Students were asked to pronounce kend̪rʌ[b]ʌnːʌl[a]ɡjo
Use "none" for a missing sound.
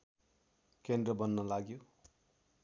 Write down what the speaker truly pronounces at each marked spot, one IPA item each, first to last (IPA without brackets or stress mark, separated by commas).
b, a